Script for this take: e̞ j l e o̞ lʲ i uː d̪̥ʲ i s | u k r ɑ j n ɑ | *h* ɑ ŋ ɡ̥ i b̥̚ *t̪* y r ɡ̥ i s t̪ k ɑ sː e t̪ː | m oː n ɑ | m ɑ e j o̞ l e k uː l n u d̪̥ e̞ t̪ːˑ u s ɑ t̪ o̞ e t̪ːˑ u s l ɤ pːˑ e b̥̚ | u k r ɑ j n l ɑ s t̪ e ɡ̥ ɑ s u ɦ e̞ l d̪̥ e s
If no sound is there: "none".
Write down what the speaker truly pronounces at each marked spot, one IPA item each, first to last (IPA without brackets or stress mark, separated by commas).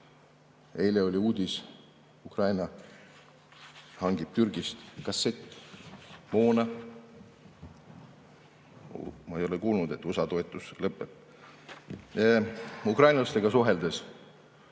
h, t̪